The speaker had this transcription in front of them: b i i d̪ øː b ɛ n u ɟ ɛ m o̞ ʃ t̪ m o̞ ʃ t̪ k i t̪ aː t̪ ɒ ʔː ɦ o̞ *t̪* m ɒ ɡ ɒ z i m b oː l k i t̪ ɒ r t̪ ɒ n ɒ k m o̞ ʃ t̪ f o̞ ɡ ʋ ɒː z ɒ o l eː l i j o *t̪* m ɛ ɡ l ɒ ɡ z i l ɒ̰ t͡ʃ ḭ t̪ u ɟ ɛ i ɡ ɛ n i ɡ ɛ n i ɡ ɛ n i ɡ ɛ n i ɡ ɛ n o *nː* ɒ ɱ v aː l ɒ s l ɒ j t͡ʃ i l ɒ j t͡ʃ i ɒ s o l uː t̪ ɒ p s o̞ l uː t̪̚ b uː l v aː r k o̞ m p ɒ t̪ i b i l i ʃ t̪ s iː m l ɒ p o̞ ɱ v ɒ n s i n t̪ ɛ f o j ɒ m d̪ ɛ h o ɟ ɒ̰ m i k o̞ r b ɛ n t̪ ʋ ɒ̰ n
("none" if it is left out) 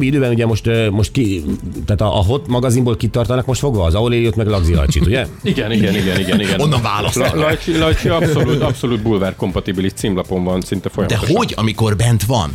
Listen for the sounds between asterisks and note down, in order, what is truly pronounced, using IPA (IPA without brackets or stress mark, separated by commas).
t̪, t̪, nː